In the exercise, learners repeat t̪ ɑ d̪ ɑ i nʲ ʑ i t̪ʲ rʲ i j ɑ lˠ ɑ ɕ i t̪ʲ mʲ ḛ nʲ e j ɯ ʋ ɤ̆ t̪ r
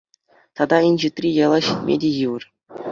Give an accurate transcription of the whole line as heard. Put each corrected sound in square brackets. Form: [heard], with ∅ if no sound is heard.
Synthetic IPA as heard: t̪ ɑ d̪ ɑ i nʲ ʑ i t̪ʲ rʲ i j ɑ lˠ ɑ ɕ i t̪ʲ mʲ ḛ [dʲ] e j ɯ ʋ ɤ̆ [∅] r